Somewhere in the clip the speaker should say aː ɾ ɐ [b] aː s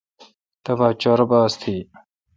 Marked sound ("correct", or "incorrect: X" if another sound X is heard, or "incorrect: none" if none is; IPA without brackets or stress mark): correct